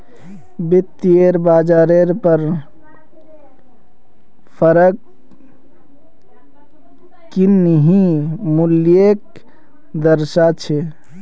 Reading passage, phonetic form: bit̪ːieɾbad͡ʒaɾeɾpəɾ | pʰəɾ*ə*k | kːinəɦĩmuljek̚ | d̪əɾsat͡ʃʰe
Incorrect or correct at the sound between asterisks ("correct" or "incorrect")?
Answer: correct